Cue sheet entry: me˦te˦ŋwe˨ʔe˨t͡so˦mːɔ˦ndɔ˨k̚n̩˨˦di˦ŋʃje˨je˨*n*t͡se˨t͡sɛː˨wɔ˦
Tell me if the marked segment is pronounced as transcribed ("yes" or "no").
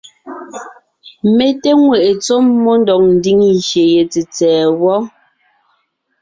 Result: no